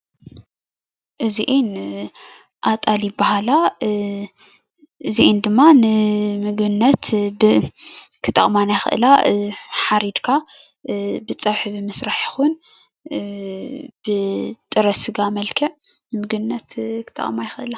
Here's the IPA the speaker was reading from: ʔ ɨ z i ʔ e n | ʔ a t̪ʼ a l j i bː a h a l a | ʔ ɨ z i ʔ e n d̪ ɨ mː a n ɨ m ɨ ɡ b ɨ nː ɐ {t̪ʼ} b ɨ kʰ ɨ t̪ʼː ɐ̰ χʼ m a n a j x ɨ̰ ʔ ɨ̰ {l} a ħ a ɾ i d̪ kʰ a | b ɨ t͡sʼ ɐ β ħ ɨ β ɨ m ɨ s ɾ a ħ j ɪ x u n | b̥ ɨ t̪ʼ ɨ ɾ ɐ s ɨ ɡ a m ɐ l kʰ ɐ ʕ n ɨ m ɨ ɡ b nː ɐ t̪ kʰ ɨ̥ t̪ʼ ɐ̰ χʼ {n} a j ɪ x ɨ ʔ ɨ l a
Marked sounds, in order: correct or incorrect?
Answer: incorrect, correct, incorrect

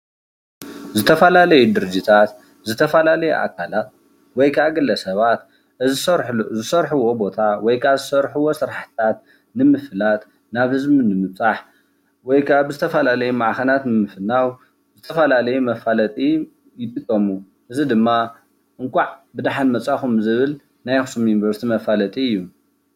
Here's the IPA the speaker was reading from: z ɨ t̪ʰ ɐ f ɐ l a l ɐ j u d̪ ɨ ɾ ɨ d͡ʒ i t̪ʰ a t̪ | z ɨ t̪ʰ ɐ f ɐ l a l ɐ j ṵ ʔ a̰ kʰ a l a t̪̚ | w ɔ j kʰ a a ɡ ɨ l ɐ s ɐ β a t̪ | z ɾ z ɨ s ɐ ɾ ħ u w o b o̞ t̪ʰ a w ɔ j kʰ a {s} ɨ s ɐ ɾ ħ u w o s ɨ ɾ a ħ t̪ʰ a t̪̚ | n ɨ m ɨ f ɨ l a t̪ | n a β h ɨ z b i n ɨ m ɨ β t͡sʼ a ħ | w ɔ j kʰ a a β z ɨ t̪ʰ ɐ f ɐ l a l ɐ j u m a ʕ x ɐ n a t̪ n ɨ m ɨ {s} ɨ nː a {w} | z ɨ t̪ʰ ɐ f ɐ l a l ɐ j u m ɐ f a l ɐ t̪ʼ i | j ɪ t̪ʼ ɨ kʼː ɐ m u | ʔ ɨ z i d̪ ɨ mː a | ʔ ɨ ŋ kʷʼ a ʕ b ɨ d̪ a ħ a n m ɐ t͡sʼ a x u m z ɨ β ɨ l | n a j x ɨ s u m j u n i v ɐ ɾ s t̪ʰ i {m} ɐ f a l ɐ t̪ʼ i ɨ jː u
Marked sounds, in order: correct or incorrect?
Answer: incorrect, incorrect, correct, correct

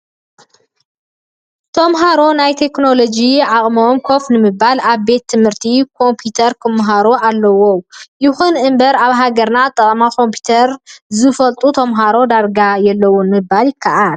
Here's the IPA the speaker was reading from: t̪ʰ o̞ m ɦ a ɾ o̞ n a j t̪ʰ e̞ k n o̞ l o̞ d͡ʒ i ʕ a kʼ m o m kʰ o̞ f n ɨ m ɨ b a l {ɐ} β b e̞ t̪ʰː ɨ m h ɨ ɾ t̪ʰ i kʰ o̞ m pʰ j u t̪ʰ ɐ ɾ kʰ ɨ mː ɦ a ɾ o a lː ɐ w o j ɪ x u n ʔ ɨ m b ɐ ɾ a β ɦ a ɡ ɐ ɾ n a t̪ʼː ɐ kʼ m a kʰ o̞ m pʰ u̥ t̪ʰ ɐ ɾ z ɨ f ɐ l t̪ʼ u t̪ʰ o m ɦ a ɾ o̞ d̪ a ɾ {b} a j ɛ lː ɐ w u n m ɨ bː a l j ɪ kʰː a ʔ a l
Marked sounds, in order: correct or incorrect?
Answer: incorrect, incorrect

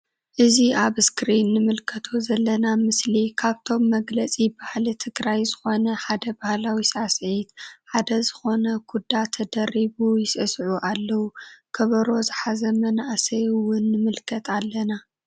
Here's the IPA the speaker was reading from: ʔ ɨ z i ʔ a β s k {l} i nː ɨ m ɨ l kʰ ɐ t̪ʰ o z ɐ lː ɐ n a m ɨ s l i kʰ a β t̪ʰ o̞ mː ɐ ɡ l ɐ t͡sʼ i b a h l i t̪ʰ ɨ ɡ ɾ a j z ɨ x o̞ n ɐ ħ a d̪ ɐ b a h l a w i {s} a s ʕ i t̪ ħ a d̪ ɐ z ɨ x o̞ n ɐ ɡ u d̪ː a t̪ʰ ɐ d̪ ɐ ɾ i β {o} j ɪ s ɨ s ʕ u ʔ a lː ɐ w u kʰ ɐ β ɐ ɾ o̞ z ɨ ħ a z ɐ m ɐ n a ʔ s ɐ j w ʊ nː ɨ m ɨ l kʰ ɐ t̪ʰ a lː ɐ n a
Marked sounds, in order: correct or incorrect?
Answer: incorrect, correct, incorrect

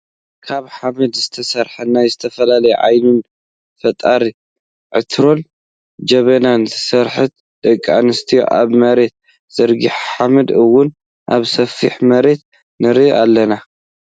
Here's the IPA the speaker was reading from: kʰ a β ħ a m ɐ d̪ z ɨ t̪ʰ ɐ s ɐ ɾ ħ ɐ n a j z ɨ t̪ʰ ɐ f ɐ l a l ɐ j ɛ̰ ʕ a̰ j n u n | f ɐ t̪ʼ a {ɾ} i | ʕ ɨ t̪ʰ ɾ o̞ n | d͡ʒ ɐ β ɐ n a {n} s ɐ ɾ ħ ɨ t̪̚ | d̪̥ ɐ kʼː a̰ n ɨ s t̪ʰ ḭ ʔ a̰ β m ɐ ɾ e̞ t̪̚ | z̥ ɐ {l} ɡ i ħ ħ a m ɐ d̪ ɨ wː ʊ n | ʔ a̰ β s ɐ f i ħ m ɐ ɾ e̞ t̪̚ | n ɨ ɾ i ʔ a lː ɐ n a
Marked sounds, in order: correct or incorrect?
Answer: correct, correct, incorrect

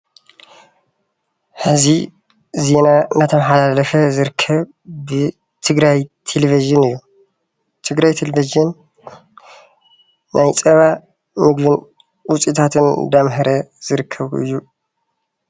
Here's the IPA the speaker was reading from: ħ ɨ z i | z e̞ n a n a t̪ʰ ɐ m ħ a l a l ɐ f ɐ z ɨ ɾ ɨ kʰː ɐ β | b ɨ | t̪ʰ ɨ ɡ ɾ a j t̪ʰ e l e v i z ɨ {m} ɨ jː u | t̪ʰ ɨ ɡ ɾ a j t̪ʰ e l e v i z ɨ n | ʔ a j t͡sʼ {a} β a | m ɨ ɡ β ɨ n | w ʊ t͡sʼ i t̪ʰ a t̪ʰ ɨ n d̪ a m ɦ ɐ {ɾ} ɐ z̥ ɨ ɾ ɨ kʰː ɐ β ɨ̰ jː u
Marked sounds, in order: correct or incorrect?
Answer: incorrect, incorrect, correct

